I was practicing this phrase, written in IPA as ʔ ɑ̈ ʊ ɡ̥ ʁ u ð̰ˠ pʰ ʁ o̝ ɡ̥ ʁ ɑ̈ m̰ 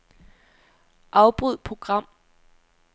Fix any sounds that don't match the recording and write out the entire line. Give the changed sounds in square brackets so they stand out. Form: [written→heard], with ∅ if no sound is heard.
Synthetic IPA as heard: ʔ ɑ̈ ʊ [ɡ̥→b̥] ʁ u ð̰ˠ pʰ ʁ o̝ ɡ̥ ʁ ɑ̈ m̰

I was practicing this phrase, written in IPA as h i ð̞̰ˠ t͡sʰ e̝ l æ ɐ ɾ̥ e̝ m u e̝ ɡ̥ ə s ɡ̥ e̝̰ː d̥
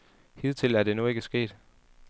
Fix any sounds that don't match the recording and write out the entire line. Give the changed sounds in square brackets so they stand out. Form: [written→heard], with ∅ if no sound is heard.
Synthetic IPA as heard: h i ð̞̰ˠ t͡sʰ e̝ l æ ɐ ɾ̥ e̝ [m→n] u e̝ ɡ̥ ə s ɡ̥ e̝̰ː d̥

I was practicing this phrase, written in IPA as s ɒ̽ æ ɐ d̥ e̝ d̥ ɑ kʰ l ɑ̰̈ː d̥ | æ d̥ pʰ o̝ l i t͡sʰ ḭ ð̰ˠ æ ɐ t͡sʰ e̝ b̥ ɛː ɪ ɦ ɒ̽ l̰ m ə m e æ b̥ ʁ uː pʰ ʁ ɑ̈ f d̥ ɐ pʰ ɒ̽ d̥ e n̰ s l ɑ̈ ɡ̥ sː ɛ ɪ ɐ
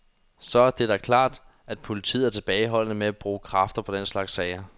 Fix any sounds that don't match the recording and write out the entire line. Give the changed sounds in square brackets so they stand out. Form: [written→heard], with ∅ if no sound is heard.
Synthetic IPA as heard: s ɒ̽ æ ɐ d̥ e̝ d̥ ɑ kʰ l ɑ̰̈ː d̥ | æ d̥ pʰ o̝ l i t͡sʰ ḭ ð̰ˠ æ ɐ t͡sʰ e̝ b̥ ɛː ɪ ɦ ɒ̽ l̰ [m→n] ə m e æ b̥ ʁ uː [pʰ→kʰ] ʁ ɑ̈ f d̥ ɐ pʰ ɒ̽ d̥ e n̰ s l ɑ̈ ɡ̥ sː ɛ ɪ ɐ

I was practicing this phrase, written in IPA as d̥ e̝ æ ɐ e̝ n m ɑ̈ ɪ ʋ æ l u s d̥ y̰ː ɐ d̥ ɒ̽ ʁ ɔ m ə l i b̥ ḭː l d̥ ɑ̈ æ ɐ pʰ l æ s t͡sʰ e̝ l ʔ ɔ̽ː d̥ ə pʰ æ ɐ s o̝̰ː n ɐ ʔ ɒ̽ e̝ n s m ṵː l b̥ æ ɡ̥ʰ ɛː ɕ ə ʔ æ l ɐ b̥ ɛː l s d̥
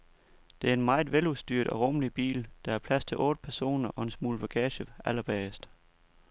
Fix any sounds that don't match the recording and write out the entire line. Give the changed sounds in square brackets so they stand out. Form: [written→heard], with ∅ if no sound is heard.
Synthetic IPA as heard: d̥ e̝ æ ɐ e̝ n m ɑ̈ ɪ ʋ [æ→e] l u s d̥ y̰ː ɐ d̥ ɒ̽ ʁ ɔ m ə l i b̥ ḭː l d̥ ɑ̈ æ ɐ pʰ l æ s t͡sʰ e̝ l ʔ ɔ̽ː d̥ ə pʰ æ ɐ s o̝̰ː n ɐ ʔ ɒ̽ e̝ n s m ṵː l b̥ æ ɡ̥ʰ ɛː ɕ ə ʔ æ l ɐ b̥ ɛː [l→∅] s d̥

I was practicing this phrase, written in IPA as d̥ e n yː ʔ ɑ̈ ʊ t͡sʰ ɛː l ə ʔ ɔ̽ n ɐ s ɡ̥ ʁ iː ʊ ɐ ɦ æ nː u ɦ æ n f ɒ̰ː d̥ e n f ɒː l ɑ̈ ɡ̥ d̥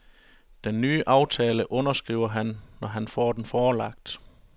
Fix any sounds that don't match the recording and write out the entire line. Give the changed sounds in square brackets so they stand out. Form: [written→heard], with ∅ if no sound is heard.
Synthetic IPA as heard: d̥ e [n→nː] yː ʔ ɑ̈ ʊ t͡sʰ ɛː l ə ʔ ɔ̽ n ɐ s ɡ̥ ʁ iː ʊ ɐ ɦ æ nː [u→ɒ] ɦ æ n f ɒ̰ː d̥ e n f ɒː l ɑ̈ ɡ̥ d̥

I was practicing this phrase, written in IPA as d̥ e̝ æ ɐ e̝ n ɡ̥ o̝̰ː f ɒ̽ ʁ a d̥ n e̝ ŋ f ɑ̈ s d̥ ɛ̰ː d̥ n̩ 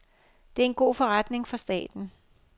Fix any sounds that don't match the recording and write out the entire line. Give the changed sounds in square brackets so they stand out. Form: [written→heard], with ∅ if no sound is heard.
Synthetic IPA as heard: d̥ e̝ æ ɐ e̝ n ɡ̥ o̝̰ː f ɒ̽ ʁ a d̥ n e̝ ŋ f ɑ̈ s d̥ ɛ̰ː d̥ n̩

